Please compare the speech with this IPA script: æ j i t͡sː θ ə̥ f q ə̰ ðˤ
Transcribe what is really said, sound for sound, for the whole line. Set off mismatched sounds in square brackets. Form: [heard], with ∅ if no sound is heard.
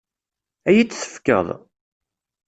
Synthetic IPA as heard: æ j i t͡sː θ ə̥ f [k] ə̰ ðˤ